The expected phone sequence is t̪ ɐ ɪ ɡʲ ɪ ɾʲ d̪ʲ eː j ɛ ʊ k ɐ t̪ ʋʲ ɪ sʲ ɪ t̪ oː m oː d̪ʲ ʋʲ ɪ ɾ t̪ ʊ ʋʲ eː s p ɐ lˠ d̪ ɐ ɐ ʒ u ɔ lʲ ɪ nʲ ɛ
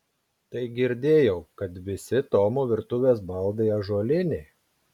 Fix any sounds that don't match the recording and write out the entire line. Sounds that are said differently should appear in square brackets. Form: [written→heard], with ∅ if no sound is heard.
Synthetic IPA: t̪ ɐ ɪ ɡʲ ɪ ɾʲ d̪ʲ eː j ɛ ʊ k ɐ t̪ ʋʲ ɪ sʲ ɪ t̪ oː m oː [d̪ʲ→∅] ʋʲ ɪ ɾ t̪ ʊ ʋʲ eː s [p→b] ɐ lˠ d̪ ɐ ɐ ʒ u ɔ lʲ ɪ nʲ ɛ